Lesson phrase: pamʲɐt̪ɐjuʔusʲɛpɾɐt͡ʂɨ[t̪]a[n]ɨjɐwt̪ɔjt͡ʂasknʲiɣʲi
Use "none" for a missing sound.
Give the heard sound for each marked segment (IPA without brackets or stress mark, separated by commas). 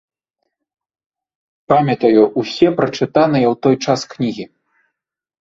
t̪, n